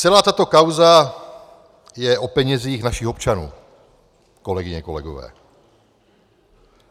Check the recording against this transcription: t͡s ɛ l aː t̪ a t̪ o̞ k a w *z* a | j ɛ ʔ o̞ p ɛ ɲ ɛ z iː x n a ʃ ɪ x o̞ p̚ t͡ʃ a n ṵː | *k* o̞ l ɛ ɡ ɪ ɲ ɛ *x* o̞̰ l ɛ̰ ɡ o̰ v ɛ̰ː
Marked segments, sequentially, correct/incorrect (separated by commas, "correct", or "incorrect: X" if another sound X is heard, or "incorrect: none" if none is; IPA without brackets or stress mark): correct, correct, incorrect: k